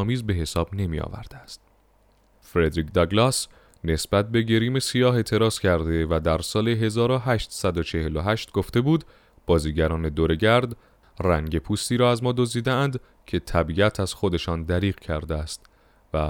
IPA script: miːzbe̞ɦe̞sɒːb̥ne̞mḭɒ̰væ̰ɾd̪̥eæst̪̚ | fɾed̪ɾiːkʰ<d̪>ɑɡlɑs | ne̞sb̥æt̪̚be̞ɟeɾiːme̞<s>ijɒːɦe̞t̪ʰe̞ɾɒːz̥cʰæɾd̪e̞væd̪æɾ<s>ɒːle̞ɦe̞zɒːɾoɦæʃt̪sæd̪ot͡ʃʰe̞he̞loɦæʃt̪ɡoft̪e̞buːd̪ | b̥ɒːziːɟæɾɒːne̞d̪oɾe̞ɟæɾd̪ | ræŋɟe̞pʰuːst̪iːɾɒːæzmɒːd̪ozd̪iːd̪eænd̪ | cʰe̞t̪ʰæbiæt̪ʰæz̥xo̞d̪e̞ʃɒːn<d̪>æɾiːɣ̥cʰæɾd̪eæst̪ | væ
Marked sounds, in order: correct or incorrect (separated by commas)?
correct, correct, correct, correct